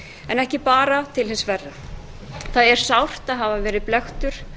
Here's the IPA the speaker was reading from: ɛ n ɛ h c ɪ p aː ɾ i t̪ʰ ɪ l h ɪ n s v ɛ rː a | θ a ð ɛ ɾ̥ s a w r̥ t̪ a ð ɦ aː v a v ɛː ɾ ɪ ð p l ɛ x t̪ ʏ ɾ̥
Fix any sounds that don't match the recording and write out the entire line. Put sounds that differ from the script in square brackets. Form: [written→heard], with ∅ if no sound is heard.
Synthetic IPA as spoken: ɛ n ɛ h c ɪ p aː ɾ [i→a] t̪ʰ ɪ l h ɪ n s v ɛ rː a | θ a ð ɛ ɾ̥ s a w r̥ t̪ a ð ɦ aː v a v ɛː ɾ ɪ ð p l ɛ x t̪ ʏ ɾ̥